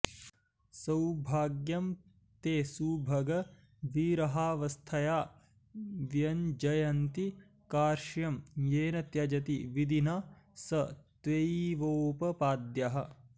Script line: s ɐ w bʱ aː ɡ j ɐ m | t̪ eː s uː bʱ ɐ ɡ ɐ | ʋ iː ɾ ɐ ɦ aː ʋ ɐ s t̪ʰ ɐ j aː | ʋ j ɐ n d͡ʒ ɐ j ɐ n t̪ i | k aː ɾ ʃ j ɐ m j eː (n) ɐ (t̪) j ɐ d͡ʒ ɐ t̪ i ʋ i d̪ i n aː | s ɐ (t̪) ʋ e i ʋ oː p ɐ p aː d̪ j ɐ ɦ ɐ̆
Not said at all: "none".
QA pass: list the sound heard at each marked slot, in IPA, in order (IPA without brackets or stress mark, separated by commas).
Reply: n, t̪, t̪